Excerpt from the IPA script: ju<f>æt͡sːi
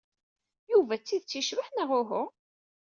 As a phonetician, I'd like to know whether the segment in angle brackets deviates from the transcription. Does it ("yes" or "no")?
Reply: yes